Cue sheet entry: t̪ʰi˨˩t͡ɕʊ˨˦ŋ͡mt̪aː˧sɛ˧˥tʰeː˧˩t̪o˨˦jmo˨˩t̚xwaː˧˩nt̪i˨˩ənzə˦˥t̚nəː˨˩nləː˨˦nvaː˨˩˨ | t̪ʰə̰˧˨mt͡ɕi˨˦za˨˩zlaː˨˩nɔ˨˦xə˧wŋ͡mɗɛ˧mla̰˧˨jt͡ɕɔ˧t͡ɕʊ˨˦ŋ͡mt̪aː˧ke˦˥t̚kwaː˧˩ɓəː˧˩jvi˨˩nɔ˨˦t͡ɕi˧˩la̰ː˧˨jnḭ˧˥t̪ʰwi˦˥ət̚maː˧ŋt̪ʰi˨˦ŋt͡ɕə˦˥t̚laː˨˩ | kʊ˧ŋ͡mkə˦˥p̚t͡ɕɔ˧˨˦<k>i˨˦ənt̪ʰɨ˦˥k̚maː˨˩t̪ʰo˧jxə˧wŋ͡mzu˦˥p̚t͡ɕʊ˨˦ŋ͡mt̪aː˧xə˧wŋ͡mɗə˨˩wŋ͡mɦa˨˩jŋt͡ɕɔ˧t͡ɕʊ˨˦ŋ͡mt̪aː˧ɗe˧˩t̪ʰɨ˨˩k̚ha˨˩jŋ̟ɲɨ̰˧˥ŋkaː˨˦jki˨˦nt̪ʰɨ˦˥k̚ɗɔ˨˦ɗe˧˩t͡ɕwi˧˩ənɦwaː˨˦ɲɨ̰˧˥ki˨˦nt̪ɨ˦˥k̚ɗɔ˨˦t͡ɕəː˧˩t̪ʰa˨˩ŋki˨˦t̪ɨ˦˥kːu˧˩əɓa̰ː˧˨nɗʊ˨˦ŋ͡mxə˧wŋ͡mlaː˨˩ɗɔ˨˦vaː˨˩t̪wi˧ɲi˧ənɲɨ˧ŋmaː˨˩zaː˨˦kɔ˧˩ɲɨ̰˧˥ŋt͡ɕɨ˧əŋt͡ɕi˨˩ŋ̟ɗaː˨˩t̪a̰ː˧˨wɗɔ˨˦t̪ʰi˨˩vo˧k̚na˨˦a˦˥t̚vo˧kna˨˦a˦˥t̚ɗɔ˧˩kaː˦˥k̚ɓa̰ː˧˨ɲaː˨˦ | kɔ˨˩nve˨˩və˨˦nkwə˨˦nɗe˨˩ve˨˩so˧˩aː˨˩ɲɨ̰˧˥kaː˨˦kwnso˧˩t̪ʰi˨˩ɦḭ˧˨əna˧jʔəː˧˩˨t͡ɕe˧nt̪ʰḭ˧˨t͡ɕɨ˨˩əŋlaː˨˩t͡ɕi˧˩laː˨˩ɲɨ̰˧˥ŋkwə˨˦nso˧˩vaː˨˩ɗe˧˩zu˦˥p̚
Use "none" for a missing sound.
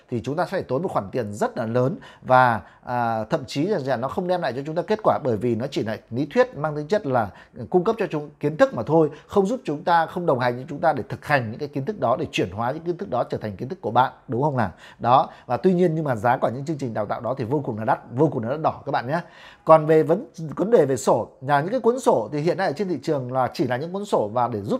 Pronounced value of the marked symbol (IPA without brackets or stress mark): k